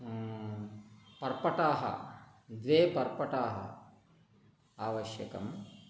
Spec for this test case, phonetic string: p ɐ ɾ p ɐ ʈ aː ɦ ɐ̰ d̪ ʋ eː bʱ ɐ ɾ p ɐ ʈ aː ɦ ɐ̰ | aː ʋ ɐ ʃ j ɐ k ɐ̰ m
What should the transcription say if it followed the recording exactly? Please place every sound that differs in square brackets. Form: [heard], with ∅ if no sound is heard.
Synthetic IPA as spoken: p ɐ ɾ p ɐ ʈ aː ɦ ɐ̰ d̪ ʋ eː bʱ ɐ ɾ p ɐ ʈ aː ɦ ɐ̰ | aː ʋ ɐ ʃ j ɐ k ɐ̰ m